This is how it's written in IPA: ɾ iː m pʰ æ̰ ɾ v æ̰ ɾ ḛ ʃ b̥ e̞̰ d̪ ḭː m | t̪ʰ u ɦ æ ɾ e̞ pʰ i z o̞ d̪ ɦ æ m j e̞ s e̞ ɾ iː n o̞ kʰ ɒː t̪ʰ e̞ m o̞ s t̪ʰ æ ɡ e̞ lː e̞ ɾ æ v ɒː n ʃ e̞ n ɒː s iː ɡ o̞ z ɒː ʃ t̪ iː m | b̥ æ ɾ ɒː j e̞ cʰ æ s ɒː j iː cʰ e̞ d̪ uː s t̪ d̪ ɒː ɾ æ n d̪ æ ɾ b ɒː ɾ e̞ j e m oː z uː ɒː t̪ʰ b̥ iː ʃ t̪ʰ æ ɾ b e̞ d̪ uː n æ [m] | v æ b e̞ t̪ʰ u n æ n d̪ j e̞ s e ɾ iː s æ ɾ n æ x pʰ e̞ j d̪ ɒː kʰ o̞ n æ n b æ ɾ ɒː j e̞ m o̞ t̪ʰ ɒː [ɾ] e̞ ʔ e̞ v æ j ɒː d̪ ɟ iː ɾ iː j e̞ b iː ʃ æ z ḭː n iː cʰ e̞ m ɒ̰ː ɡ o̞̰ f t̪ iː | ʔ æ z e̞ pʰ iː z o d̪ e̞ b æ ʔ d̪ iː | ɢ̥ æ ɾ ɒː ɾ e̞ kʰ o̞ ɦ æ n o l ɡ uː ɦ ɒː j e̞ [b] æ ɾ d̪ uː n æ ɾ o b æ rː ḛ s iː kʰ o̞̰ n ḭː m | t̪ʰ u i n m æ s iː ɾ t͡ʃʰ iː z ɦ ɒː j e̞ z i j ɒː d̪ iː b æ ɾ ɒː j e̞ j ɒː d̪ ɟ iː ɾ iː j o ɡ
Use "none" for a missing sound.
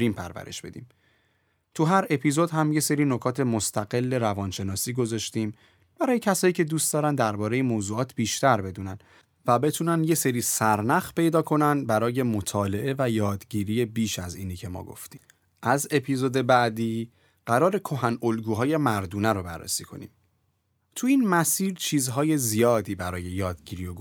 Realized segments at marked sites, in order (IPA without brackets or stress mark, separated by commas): n, l, m